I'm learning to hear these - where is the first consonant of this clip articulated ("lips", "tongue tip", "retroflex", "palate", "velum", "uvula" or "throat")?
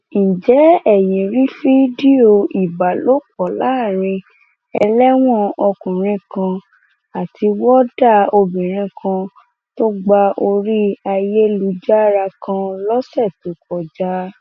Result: tongue tip